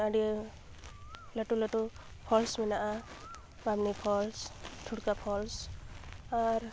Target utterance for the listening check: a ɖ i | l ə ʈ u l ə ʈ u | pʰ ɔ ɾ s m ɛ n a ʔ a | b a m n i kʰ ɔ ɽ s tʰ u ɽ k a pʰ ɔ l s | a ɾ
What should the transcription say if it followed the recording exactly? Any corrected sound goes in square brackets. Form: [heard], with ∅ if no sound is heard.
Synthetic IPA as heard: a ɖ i | l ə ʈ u l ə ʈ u | pʰ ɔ [l] s m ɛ n a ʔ a | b a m n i [pʰ] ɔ [l] s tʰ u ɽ k a pʰ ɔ l s | a ɾ